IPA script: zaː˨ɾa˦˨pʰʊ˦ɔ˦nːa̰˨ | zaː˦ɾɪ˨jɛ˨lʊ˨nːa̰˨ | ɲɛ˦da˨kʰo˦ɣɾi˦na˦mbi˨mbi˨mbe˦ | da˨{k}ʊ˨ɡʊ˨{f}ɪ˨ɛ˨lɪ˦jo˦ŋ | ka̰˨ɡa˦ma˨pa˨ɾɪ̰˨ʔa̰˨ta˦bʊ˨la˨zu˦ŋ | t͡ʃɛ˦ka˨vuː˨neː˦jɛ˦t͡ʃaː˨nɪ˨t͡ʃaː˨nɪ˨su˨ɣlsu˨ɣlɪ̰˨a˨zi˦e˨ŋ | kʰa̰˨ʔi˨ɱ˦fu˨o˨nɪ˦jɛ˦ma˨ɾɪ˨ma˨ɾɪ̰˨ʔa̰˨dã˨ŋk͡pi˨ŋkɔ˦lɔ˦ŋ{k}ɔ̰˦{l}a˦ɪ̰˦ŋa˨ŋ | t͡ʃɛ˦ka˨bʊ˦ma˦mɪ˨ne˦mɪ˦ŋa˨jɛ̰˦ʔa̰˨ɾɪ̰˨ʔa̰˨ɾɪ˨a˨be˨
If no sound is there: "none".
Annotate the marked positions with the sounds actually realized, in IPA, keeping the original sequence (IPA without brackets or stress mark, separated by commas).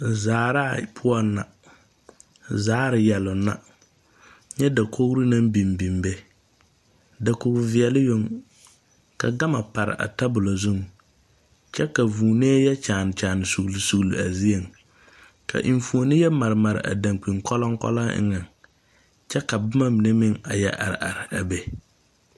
k, v, k, l